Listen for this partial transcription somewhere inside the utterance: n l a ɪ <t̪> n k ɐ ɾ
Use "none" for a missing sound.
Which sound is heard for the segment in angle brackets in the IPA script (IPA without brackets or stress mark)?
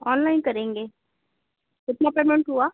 none